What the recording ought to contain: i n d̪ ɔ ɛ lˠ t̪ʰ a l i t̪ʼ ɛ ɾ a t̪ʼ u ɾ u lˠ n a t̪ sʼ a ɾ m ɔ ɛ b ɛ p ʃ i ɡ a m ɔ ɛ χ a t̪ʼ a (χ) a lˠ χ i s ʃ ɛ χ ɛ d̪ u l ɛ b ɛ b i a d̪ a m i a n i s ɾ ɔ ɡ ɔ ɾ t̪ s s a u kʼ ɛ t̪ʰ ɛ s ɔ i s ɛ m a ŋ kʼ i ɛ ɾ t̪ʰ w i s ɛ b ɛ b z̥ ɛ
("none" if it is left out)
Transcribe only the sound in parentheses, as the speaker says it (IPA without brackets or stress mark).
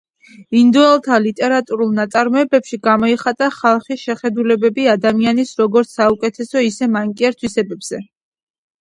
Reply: χ